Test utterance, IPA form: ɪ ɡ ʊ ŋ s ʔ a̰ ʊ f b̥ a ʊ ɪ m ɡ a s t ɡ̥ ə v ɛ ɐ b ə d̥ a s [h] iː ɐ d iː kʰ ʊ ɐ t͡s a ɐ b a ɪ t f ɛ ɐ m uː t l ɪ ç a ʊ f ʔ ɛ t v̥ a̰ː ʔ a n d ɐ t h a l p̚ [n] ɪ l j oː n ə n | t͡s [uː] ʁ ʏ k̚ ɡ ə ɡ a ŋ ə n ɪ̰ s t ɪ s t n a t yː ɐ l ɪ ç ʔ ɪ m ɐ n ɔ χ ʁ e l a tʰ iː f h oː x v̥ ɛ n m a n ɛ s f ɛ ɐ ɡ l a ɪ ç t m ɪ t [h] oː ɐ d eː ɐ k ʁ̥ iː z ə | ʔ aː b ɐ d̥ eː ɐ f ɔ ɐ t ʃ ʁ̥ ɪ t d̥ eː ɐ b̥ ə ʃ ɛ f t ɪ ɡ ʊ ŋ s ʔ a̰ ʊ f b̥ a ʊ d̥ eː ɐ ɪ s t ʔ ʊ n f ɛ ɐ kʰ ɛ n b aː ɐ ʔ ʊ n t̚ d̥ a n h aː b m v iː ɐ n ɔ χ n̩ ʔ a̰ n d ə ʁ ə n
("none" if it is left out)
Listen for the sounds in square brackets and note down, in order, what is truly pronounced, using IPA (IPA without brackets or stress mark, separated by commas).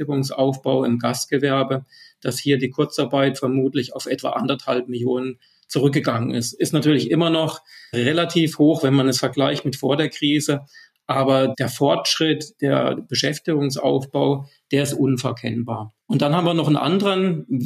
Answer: h, m, u, f